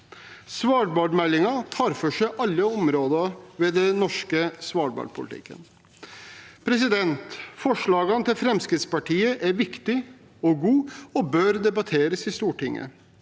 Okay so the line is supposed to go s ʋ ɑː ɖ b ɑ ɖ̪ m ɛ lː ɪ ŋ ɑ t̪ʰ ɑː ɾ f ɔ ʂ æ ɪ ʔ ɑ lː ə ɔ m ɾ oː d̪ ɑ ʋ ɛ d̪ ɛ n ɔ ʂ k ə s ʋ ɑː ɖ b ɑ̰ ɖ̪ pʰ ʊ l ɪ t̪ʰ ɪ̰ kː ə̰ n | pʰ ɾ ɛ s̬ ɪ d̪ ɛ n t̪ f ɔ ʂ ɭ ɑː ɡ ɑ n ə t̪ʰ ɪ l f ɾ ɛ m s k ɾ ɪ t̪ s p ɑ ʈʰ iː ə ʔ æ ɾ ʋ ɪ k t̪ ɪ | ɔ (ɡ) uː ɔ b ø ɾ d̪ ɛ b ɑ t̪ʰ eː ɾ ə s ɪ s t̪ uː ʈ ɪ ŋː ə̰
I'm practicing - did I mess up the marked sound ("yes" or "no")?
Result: no